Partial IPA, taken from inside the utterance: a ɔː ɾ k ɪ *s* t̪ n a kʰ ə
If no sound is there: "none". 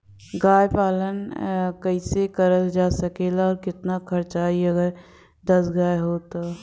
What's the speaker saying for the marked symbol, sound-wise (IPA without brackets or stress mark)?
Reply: none